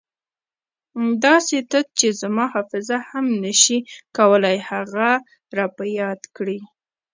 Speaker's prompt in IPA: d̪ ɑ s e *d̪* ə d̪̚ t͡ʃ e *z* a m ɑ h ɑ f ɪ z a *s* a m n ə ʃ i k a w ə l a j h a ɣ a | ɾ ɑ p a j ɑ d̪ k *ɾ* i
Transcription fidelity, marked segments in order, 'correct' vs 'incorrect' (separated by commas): incorrect, correct, incorrect, incorrect